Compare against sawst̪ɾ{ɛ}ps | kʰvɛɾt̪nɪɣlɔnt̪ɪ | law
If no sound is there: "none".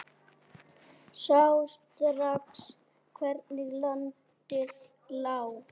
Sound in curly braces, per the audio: a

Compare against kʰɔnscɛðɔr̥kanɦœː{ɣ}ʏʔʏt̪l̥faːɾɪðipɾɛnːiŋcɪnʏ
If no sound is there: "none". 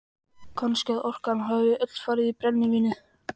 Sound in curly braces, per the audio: v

